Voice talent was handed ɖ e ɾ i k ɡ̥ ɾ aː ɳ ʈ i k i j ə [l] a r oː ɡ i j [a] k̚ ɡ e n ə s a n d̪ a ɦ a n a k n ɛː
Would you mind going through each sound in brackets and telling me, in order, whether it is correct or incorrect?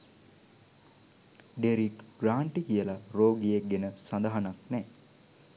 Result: correct, incorrect

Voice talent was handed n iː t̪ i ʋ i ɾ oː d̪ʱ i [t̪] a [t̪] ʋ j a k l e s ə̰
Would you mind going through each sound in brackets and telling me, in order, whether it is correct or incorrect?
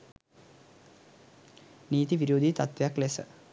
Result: correct, correct

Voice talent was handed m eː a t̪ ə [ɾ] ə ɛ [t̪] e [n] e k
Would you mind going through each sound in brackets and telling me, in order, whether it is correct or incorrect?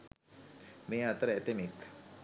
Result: correct, correct, incorrect

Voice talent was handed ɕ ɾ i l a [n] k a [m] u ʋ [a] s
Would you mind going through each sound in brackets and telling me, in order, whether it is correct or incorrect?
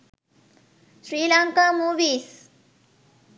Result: incorrect, correct, incorrect

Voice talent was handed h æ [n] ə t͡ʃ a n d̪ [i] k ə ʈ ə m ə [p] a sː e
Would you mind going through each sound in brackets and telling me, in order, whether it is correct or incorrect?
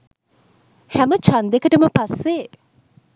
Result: incorrect, incorrect, correct

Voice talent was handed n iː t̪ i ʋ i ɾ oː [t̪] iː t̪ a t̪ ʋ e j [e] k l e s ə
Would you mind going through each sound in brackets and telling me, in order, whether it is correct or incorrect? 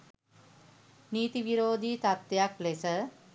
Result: incorrect, incorrect

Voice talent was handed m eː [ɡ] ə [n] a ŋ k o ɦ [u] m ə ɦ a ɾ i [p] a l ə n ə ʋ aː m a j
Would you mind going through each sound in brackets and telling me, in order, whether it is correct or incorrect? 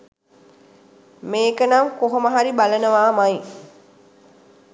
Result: incorrect, correct, incorrect, incorrect

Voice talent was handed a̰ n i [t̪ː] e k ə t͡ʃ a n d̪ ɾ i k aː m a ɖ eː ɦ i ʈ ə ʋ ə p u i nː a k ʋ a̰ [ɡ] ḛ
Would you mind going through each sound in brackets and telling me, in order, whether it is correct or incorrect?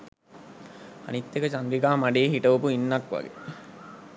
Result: correct, correct

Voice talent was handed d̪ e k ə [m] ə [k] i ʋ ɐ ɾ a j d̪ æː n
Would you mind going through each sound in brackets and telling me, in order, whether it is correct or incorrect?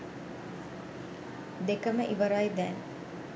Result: correct, incorrect

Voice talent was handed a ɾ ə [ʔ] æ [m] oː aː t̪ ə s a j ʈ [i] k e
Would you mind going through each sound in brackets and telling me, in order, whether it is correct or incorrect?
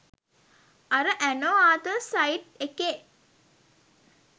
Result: correct, incorrect, incorrect

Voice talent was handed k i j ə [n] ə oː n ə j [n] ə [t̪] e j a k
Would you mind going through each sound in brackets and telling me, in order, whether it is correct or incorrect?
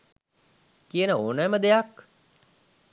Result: correct, incorrect, incorrect

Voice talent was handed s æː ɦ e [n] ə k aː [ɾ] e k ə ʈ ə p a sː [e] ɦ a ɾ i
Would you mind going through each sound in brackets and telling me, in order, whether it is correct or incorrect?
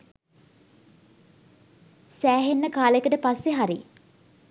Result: incorrect, incorrect, correct

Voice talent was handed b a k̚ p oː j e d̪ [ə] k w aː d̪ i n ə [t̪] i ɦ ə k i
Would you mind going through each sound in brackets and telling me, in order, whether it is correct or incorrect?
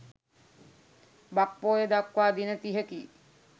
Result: incorrect, correct

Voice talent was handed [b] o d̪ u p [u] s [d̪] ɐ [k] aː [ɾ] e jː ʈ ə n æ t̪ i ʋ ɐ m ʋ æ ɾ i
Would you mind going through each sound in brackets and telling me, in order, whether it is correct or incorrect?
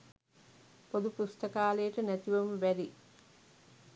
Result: incorrect, correct, incorrect, correct, incorrect

